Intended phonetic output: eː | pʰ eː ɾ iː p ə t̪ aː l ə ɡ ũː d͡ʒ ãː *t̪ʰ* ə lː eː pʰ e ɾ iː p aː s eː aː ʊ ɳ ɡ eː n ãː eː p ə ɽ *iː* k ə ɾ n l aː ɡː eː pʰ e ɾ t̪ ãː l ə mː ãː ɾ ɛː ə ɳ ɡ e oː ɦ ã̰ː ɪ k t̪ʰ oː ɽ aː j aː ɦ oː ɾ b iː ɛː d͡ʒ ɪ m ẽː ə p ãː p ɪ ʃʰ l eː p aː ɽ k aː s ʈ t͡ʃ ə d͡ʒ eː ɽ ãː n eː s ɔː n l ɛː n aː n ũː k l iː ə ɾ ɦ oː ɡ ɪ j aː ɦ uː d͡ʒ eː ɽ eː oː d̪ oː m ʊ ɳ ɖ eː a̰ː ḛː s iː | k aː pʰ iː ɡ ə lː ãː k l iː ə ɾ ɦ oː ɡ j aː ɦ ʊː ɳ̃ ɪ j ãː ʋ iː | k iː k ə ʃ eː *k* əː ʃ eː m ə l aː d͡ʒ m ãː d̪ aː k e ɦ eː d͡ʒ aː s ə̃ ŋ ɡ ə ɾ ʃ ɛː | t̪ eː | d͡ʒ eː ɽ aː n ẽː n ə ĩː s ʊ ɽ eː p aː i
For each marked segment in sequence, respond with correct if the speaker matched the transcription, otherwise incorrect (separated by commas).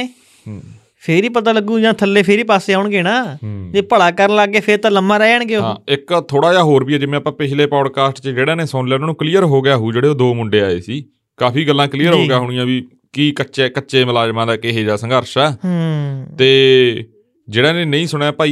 correct, incorrect, correct